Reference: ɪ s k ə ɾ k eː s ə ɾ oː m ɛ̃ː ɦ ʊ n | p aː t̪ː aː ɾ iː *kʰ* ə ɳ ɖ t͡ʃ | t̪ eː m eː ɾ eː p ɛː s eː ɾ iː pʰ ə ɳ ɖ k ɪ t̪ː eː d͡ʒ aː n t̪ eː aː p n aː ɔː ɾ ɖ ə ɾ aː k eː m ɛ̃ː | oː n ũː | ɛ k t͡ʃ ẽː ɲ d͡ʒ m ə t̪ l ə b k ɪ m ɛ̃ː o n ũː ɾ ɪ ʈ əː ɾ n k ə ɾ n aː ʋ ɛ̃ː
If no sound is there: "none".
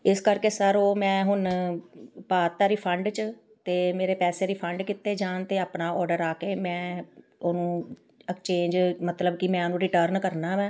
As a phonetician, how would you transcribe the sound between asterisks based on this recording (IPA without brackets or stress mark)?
pʰ